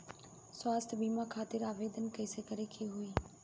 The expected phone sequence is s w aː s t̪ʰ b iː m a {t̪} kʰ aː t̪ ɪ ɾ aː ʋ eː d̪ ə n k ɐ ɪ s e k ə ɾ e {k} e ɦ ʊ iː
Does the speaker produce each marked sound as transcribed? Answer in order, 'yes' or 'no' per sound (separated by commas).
no, no